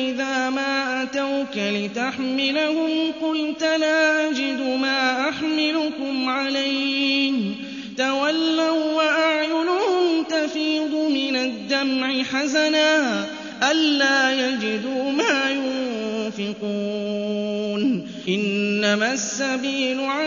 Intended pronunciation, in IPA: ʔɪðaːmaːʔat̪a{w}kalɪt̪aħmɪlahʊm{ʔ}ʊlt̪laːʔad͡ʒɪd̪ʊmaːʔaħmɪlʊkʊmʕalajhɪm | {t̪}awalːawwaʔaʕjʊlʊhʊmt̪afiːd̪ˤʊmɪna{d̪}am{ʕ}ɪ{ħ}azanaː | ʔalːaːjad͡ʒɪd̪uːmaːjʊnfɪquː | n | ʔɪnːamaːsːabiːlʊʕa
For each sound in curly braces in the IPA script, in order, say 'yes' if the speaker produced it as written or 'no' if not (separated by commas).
yes, no, yes, no, yes, yes